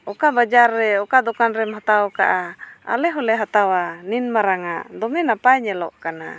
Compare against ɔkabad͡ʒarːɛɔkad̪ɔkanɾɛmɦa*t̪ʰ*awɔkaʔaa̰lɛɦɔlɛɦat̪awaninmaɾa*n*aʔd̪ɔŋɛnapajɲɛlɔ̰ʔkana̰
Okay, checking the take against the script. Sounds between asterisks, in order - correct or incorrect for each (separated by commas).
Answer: incorrect, incorrect